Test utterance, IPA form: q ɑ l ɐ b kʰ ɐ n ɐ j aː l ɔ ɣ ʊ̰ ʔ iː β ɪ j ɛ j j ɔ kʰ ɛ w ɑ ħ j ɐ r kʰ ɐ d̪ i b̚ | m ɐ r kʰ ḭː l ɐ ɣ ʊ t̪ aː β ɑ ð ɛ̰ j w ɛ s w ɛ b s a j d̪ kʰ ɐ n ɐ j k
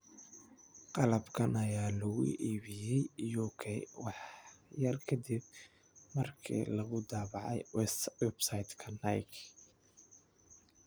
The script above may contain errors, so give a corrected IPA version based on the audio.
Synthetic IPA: q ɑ l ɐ b kʰ ɐ n ɐ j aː l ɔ ɣ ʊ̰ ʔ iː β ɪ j ɛ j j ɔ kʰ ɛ w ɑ ħ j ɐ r kʰ ɐ d̪ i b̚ | m ɐ r kʰ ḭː l ɐ ɣ ʊ d̪ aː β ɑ ʕ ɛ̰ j w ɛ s w ɛ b s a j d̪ kʰ ɐ n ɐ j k